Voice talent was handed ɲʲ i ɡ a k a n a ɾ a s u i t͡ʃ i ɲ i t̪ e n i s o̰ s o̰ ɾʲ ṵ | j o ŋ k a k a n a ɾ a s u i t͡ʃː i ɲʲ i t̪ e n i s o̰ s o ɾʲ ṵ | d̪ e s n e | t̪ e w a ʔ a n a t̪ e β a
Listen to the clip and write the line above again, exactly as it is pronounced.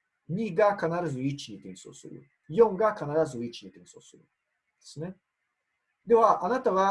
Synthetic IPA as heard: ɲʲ i ɡ a k a n a ɾ a z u i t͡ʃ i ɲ i t̪ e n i s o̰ s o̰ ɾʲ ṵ | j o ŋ ɡ a k a n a ɾ a z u i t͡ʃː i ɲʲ i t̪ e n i s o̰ s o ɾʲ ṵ | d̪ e s n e | d̪ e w a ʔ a n a t̪ a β a